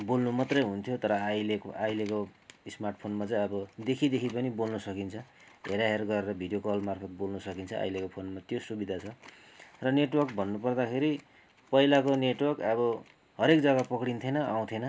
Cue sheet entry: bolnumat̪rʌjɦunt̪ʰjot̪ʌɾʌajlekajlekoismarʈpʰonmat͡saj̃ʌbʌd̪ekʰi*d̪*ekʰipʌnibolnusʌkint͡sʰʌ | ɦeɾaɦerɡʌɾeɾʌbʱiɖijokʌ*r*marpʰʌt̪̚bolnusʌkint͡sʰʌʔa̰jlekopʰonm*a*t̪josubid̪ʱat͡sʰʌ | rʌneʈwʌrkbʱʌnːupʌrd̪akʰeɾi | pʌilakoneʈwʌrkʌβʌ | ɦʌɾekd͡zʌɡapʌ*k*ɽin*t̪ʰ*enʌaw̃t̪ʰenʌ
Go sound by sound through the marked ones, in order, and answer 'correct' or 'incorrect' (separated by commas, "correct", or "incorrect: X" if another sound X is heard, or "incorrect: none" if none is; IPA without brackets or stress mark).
correct, incorrect: l, correct, correct, correct